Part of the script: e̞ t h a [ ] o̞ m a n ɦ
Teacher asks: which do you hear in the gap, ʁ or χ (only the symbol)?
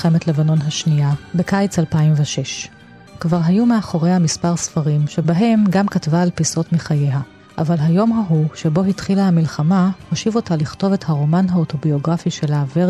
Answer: ʁ